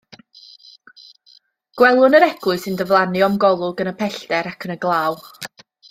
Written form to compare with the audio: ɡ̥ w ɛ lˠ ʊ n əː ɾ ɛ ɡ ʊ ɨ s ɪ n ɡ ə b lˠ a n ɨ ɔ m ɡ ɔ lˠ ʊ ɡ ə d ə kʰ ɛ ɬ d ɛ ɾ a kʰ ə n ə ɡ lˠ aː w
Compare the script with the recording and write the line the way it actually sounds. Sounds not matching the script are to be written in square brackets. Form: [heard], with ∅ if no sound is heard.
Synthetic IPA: ɡ̥ w ɛ lˠ ʊ n [ə] ɾ ɛ ɡ ʊ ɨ s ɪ n [d] ə [v] lˠ a n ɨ ɔ m ɡ ɔ lˠ ʊ ɡ ə [n] ə [pʰ] ɛ ɬ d ɛ ɾ a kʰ ə n ə ɡ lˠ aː w